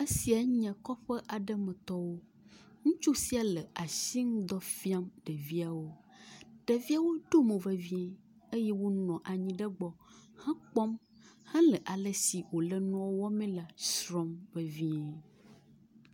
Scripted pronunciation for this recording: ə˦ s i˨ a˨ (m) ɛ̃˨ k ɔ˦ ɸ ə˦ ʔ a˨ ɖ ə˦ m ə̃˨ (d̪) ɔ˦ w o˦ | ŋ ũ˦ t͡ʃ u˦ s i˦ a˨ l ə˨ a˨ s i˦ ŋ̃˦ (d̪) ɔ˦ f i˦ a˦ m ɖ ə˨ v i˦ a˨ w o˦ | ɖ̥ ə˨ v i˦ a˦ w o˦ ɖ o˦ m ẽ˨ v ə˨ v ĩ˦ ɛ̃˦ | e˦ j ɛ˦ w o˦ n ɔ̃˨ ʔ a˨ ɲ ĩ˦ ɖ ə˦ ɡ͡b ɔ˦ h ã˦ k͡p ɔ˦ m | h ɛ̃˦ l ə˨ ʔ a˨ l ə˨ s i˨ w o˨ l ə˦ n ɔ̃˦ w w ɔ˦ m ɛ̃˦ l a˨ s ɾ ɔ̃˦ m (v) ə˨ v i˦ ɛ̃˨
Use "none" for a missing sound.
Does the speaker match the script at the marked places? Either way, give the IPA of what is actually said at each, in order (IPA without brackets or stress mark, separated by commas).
ɲ, t̪, d̪, v